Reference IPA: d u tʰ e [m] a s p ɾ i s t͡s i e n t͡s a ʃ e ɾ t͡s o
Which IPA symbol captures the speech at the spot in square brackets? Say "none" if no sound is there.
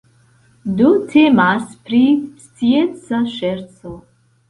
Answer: m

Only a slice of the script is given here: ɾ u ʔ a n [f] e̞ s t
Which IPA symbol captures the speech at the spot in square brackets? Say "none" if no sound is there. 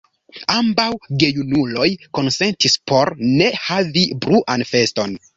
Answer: f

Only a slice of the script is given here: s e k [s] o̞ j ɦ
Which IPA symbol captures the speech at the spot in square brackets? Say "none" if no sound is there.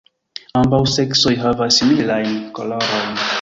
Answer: s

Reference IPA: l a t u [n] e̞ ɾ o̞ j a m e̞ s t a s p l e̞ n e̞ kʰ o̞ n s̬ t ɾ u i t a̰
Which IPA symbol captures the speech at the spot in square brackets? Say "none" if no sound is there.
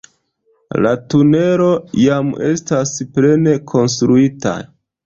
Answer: n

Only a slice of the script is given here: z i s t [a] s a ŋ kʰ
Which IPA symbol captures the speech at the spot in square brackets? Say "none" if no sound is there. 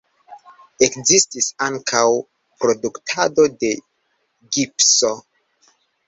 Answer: i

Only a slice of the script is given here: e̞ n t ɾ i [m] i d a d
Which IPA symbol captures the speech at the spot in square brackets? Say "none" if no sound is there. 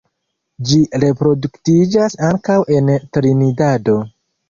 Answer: n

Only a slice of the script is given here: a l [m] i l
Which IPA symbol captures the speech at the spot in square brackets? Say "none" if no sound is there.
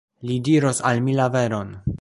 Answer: m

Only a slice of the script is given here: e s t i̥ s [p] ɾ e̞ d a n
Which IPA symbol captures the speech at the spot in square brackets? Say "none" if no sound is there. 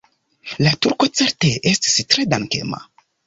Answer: t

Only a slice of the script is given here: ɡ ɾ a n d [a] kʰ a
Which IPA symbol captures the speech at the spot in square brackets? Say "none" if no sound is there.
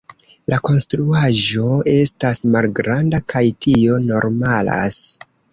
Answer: a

